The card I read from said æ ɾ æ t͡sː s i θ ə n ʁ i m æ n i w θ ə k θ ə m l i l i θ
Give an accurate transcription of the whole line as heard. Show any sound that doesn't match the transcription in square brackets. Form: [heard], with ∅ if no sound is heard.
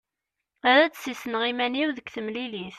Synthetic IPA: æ ɾ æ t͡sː s i [s] ə n ʁ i m æ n i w [ð] ə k θ ə m l i l i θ